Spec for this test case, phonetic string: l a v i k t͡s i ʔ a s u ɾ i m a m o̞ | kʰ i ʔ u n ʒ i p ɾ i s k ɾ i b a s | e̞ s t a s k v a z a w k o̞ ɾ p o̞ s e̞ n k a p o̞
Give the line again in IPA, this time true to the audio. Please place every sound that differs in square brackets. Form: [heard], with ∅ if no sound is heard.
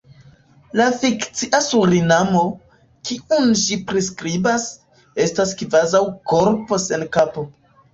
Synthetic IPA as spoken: l a [f] i k t͡s i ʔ a s u ɾ i [n] a m o̞ | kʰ i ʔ u n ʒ i p ɾ i s k ɾ i b a s | e̞ s t a s k v a z a w k o̞ ɾ p o̞ s e̞ n k a p o̞